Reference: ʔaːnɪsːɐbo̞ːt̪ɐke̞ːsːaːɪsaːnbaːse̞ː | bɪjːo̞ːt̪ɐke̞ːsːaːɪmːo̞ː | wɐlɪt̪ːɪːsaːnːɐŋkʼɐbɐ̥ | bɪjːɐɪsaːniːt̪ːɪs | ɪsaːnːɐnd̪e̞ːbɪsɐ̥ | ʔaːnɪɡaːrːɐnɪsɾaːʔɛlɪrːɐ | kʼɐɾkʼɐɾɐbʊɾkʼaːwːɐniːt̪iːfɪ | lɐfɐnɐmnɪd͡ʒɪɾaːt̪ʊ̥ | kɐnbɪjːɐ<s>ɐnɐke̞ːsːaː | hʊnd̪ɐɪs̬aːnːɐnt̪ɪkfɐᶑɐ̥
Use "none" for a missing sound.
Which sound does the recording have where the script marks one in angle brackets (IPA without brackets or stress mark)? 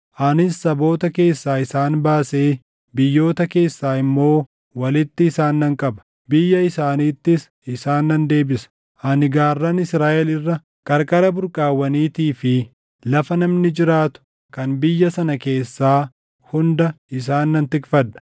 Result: s